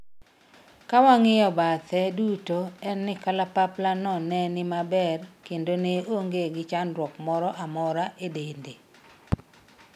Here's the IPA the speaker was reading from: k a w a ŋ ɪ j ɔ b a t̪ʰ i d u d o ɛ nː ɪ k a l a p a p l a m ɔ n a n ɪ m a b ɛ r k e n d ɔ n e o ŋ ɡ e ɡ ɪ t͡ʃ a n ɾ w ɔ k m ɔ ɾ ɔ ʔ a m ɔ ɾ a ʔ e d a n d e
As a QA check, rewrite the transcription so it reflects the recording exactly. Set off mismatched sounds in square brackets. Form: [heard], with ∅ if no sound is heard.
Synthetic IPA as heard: k a w a ŋ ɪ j ɔ b a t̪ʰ [ɛ] d u [t] o ɛ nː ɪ k a l a p a p l a [n] ɔ n [ɛ] n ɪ m a b ɛ r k e n d [o] n e o ŋ ɡ e ɡ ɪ t͡ʃ a n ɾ w ɔ k m ɔ ɾ ɔ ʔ a m ɔ ɾ a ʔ e d [e] n d e